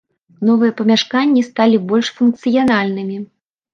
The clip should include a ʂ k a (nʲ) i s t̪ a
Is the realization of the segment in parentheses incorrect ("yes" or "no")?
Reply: yes